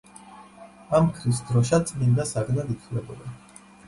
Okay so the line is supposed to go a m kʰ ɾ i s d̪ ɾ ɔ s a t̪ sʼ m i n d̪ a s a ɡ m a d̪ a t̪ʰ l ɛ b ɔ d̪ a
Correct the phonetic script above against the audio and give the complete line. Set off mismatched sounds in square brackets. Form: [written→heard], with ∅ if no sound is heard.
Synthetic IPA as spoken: a m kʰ ɾ i s d̪ ɾ ɔ [s→ʃ] a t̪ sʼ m i n d̪ a s a ɡ [m→n] a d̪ [a→i] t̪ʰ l ɛ b ɔ d̪ a

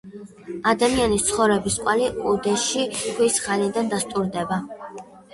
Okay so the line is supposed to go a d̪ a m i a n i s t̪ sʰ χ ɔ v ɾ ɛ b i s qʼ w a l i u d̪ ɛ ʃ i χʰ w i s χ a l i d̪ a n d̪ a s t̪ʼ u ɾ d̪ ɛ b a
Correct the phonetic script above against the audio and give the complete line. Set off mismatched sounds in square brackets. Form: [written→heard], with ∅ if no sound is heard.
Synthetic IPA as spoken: a d̪ a m i a n i s t̪ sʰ χ ɔ v ɾ ɛ b i s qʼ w a l i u d̪ ɛ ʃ i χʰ w i s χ a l i d̪ a n d̪ a s t̪ʼ u ɾ d̪ ɛ b a

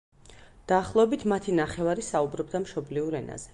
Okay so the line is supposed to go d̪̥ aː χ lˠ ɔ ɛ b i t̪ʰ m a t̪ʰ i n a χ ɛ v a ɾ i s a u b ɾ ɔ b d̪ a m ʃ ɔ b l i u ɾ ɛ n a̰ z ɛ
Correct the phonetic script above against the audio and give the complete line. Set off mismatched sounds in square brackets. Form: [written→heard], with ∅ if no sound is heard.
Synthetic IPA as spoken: d̪̥ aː χ lˠ ɔ ɛ b i t̪ʰ m a t̪ʰ i n a χ ɛ v a ɾ i s a u b ɾ ɔ b d̪ a m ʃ ɔ b l i u ɾ ɛ n a̰ z ɛ

